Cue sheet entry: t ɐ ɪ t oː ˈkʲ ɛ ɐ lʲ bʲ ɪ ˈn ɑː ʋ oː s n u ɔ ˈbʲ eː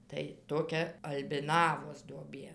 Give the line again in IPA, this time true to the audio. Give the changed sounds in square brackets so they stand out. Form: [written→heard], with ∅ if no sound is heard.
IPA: t ɐ ɪ t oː ˈkʲ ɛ ɐ lʲ bʲ ɪ ˈn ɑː ʋ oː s [n→d] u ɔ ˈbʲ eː